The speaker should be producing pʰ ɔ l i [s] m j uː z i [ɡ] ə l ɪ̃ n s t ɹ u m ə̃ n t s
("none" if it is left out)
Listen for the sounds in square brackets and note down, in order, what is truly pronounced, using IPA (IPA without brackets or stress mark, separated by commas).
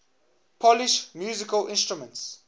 ʃ, k